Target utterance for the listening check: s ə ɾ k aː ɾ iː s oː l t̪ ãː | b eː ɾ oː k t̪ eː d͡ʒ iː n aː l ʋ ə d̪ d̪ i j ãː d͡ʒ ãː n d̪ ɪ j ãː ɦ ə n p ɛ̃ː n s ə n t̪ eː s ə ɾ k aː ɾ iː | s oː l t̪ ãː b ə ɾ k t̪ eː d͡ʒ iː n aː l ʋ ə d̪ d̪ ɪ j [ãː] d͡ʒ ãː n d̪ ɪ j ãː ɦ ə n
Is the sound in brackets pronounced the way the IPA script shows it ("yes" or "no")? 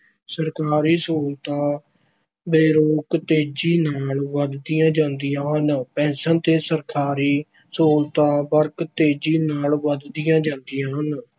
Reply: yes